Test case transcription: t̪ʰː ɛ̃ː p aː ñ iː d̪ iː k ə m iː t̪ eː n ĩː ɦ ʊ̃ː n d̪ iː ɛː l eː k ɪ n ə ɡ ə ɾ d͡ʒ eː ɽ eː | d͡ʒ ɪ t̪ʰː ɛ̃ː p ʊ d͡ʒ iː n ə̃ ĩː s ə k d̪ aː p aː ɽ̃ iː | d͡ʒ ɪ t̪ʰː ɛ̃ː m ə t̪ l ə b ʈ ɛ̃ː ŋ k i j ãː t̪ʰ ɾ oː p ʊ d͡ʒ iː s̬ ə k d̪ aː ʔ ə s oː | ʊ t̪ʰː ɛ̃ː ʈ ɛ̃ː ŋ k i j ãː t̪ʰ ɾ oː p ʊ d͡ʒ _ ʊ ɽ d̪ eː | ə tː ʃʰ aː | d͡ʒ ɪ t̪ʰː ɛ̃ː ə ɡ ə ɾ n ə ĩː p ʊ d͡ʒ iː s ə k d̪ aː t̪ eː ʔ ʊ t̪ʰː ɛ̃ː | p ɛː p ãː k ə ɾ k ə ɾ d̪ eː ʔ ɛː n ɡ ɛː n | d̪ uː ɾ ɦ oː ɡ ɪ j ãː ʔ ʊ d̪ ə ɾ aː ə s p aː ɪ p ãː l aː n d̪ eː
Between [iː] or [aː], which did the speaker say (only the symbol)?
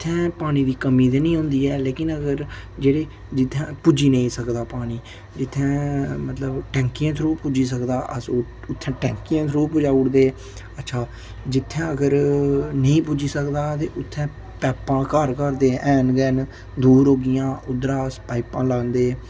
aː